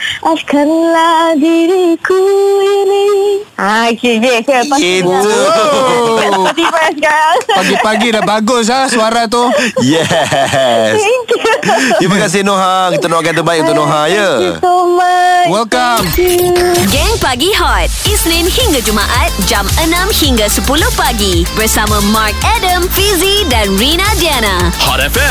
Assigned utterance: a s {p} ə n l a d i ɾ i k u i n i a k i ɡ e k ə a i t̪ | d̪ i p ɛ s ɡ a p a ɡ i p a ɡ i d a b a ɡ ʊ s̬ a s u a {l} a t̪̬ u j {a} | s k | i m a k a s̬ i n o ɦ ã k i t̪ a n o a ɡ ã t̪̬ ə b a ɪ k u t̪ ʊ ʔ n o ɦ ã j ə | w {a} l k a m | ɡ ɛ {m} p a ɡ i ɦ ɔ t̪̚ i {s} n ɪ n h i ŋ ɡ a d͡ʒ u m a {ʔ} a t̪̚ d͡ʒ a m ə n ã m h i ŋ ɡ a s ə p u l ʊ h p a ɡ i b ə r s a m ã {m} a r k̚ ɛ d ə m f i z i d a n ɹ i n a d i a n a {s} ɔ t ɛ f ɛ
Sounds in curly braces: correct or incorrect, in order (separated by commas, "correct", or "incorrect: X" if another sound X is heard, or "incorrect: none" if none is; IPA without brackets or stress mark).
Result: incorrect: k, incorrect: ɾ, incorrect: ɛ, incorrect: ɛ, incorrect: ŋ, correct, correct, correct, incorrect: h